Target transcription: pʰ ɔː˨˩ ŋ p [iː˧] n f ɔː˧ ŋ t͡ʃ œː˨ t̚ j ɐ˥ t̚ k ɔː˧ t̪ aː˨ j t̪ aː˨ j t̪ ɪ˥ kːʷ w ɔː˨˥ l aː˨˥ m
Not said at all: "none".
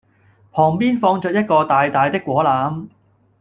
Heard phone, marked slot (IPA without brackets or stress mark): iː˥